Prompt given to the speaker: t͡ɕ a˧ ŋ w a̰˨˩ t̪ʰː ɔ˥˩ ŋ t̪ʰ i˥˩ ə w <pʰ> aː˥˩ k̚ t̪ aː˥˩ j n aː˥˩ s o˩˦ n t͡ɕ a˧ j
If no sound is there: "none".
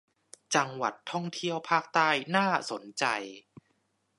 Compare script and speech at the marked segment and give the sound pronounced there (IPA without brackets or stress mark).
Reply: pʰ